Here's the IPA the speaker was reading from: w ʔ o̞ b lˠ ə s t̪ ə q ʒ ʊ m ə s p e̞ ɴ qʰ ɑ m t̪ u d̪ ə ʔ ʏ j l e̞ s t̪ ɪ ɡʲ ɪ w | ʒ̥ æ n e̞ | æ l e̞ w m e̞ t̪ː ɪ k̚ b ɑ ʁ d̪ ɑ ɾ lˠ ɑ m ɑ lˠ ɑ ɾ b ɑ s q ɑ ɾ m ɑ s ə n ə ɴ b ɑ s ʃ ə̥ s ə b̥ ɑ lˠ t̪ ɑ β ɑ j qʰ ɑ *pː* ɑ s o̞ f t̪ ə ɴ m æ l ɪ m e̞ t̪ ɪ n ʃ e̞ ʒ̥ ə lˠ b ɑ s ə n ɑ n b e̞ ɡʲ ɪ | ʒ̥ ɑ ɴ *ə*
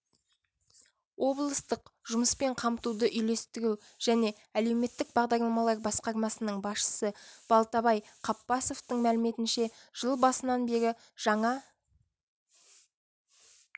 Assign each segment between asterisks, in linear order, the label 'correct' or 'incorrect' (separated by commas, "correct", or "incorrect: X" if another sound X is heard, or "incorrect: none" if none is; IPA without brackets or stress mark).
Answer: correct, incorrect: ɑ